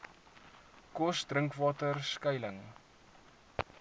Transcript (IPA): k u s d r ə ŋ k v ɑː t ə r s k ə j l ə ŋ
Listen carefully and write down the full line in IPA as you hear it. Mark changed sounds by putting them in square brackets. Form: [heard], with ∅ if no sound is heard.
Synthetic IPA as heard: k [ɔ] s d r ə ŋ k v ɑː t ə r s k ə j l ə ŋ